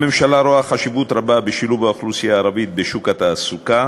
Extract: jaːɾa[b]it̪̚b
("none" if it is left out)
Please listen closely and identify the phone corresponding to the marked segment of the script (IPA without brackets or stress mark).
v